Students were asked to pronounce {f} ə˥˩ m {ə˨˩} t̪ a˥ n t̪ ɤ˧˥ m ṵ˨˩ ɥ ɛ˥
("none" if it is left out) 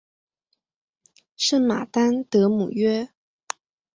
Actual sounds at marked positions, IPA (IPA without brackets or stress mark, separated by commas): ʂ, a˨˩